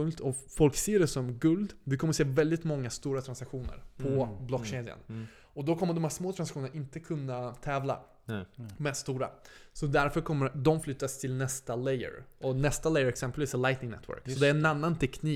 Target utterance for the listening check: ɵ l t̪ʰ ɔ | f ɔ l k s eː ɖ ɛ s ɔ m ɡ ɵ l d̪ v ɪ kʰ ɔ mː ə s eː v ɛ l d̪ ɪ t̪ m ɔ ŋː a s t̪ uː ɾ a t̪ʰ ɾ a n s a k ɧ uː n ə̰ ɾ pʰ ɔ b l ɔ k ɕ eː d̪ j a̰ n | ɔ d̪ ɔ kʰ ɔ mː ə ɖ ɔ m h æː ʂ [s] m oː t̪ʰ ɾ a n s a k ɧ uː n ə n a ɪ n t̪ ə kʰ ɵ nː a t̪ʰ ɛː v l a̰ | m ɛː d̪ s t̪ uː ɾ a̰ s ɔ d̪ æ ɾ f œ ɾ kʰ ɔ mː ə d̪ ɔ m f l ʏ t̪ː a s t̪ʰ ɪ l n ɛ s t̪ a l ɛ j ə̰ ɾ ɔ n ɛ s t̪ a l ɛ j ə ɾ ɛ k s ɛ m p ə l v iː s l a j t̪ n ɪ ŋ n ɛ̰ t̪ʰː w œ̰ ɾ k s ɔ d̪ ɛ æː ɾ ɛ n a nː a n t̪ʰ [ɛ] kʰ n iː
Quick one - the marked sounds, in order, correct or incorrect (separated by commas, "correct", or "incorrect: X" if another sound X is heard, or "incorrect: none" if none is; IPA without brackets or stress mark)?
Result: correct, correct